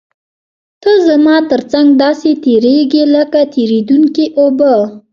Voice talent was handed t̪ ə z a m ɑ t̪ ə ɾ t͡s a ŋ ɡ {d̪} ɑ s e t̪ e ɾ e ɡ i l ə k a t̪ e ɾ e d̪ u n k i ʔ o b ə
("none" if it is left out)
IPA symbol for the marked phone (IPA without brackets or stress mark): d̪